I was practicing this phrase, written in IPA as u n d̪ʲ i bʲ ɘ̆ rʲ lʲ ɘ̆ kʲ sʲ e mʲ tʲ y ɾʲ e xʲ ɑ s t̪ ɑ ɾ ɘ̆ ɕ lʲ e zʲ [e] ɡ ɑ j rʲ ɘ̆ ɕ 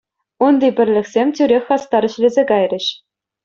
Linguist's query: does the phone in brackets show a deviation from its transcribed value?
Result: no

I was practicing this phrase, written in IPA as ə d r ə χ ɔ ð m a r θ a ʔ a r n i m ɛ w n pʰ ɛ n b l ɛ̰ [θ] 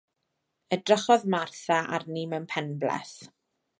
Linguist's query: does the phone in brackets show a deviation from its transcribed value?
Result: no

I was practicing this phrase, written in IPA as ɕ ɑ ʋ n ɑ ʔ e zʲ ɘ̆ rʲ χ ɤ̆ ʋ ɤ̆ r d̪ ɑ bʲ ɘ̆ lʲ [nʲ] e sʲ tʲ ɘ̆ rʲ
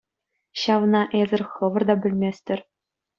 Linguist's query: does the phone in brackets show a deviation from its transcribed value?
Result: yes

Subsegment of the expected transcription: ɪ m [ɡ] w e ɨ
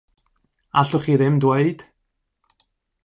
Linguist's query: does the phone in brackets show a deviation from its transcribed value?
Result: yes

